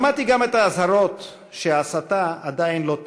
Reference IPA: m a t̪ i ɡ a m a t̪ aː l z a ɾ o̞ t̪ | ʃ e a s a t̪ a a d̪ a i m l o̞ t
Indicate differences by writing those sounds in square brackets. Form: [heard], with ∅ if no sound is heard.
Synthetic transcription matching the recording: m a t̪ i ɡ a m [e] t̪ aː [∅] z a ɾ o̞ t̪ | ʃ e a s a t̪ a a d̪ a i [n] l o̞ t